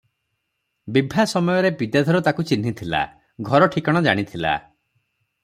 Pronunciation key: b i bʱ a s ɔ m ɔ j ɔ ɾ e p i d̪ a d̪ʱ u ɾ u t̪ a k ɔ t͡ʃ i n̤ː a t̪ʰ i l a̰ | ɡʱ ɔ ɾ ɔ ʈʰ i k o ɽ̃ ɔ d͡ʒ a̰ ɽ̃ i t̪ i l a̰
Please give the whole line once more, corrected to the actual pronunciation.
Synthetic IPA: b i bʱ a s ɔ m ɔ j ɔ ɾ e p i d̪ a d̪ʱ ɔ ɾ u t̪ a k u t͡ʃ i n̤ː i t̪ʰ i l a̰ | ɡʱ ɔ ɾ ɔ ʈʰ i k ɔ ɽ̃ ɔ d͡ʒ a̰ ɽ̃ i t̪ʰ i l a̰